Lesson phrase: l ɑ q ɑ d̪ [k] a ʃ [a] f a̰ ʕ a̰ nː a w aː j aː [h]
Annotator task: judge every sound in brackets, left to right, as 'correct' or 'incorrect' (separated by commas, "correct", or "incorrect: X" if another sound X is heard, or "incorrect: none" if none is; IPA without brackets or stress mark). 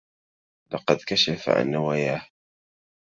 correct, correct, correct